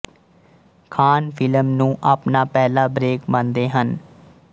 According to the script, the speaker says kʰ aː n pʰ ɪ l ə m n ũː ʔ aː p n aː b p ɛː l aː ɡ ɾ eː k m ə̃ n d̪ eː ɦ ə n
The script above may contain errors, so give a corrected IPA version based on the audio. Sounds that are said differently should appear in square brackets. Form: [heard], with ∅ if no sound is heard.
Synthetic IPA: kʰ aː n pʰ ɪ l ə m n ũː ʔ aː p n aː [∅] p ɛː l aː [b] ɾ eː k m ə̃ n d̪ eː ɦ ə n